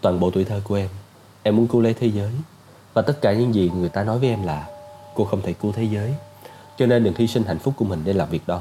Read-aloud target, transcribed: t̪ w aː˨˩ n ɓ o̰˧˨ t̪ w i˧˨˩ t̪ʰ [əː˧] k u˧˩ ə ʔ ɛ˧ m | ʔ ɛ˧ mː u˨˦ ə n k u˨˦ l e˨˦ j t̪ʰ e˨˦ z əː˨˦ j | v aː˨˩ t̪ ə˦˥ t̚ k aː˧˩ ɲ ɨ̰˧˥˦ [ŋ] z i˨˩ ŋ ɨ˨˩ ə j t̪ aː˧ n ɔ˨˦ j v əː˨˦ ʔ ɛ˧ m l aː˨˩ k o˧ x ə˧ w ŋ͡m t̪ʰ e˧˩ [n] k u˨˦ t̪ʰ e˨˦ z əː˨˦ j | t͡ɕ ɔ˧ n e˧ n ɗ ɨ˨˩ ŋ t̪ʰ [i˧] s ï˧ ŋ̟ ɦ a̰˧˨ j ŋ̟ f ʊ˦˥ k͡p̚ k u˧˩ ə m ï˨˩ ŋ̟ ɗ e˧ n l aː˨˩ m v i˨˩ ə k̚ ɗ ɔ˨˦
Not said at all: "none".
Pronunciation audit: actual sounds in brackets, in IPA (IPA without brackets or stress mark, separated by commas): əː˧, ŋ, none, i˧